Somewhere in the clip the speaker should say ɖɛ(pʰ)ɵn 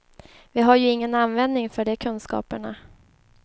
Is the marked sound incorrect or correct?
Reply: incorrect